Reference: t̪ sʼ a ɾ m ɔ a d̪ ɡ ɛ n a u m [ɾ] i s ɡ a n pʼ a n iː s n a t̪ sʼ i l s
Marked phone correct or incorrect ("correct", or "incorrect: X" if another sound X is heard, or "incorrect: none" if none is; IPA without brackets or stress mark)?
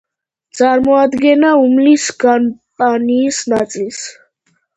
incorrect: l